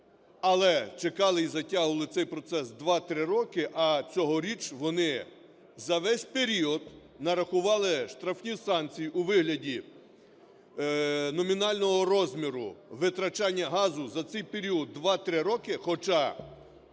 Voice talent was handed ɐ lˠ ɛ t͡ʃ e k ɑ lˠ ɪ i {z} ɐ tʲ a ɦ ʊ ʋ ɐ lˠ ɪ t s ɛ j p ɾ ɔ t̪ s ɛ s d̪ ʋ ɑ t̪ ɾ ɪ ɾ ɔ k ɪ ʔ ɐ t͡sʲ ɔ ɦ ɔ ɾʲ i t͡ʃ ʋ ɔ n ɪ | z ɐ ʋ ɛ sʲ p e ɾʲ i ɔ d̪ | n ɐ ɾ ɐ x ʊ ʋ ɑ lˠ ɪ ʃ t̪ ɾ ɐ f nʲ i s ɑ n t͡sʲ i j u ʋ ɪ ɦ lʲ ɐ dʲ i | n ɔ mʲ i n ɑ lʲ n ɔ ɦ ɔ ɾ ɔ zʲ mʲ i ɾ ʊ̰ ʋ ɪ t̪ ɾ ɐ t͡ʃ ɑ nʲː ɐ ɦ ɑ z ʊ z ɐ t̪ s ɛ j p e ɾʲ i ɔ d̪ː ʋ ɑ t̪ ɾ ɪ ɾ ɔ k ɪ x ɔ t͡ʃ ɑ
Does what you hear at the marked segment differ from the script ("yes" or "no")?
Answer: no